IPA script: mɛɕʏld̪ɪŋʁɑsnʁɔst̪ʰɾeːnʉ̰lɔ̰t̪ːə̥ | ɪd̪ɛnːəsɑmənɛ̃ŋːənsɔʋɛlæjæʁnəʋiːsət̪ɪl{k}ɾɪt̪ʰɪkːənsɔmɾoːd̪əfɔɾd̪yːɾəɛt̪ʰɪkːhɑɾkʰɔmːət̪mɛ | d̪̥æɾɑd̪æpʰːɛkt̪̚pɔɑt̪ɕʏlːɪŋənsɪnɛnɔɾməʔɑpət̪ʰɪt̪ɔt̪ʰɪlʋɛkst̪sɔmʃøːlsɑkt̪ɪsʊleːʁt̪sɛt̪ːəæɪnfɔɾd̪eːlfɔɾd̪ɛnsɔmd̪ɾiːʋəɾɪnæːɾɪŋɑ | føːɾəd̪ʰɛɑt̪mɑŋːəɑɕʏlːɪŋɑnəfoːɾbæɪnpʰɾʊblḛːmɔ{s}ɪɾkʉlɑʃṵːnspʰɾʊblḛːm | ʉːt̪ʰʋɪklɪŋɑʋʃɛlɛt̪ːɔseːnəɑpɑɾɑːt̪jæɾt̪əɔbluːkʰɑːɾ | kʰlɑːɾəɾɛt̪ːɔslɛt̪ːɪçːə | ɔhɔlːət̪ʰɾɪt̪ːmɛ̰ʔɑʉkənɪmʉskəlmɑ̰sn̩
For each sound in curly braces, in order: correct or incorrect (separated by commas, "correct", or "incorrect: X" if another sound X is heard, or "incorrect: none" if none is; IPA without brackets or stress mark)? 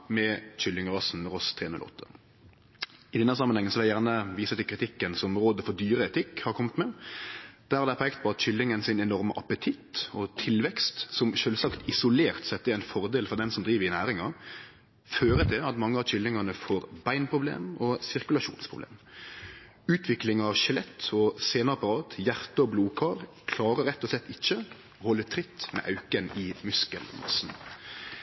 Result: correct, correct